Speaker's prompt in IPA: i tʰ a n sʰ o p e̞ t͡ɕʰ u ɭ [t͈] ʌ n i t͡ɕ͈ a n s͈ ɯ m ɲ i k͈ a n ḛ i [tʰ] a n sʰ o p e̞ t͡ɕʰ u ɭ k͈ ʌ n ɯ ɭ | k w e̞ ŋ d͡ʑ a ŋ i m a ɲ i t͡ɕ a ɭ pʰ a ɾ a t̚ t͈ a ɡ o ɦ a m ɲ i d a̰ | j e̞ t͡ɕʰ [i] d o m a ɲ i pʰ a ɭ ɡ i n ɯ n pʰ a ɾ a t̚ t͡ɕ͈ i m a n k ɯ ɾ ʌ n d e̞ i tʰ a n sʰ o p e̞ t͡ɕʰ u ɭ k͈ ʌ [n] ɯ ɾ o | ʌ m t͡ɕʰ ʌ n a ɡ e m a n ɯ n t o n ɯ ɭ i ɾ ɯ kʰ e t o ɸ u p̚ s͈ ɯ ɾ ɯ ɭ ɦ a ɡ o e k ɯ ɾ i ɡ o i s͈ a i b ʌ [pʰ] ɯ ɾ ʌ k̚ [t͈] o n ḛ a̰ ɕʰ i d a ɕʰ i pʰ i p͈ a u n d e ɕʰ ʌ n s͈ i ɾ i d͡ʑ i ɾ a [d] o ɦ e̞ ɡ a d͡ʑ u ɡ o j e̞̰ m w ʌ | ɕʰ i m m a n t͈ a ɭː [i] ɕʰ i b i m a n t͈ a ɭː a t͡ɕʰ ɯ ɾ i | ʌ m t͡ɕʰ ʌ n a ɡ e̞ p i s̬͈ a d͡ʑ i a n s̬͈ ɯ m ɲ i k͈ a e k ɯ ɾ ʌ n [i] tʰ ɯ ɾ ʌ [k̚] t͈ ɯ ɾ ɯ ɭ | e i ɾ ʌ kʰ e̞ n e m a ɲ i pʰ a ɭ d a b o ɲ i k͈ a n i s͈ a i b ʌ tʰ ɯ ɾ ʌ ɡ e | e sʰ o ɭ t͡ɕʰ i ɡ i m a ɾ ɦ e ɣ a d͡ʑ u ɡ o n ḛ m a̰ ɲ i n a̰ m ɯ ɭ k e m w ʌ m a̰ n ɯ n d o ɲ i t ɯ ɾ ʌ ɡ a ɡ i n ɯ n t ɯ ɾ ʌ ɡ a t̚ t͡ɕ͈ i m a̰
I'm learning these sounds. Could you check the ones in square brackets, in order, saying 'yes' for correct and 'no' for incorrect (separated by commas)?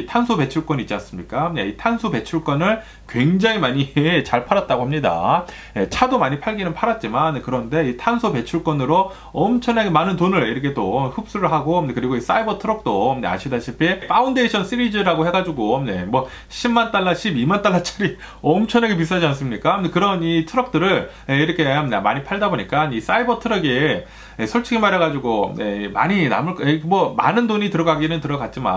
no, yes, no, yes, no, yes, no, no, yes, yes